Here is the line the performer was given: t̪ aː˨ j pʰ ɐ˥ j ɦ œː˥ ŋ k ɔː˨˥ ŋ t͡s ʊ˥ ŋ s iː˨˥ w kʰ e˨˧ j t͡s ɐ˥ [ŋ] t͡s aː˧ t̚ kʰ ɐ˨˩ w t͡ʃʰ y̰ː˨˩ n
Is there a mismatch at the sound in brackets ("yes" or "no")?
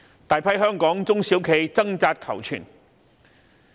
no